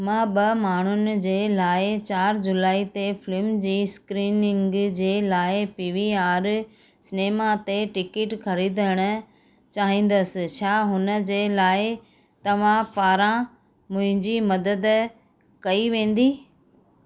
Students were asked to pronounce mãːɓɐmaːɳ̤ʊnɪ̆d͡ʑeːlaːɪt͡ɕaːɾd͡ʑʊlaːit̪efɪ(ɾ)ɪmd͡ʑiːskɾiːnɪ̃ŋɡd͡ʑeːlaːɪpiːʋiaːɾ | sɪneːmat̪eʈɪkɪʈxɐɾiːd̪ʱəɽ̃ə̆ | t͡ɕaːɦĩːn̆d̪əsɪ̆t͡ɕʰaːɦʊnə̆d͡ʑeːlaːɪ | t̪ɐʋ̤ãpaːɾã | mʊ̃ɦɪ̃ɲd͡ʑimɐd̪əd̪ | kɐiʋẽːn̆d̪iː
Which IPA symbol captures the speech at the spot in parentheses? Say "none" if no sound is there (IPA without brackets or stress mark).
l